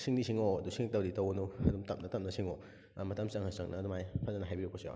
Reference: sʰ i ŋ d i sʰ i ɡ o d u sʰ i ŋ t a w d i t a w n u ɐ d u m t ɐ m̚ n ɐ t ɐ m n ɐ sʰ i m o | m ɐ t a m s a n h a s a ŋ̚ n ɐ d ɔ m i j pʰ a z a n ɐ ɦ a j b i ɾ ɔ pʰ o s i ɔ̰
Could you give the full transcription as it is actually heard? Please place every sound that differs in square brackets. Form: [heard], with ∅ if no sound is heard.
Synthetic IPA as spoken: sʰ i ŋ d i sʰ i [ŋ] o d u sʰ i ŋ t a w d i t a w n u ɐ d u m t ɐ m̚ n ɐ t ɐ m n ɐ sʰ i [ŋ] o | m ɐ t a m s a [ŋ] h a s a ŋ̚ n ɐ d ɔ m [a] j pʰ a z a n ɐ ɦ a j b i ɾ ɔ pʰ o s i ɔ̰